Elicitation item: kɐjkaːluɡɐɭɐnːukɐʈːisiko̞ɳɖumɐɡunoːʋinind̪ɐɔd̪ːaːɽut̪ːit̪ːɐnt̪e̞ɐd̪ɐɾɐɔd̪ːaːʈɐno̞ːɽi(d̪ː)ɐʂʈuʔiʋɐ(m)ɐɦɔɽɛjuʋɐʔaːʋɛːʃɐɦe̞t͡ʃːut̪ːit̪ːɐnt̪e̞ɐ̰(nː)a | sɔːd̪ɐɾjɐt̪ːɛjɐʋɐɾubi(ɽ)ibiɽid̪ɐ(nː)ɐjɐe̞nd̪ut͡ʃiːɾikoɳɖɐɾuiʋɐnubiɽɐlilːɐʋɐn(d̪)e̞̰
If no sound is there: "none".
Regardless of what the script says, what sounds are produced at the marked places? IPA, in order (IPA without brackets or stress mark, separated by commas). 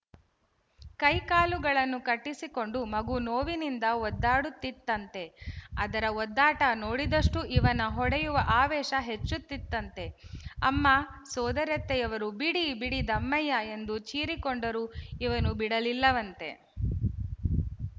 d̪, n, mː, ɽ, mː, t̪